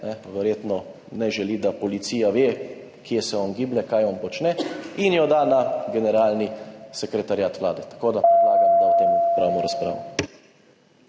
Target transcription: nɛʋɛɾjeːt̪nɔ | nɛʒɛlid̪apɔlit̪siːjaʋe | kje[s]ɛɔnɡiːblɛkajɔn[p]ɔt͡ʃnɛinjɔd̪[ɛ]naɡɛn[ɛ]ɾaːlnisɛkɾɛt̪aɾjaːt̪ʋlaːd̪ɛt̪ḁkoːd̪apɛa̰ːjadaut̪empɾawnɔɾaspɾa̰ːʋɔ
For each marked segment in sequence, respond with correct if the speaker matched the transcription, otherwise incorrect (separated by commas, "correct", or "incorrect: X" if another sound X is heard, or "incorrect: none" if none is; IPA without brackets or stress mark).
correct, correct, incorrect: a, correct